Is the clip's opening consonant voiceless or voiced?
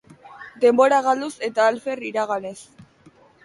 voiced